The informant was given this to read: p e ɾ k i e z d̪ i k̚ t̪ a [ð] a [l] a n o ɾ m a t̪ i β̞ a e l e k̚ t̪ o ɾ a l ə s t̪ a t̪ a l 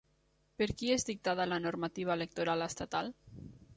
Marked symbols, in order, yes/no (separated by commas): yes, yes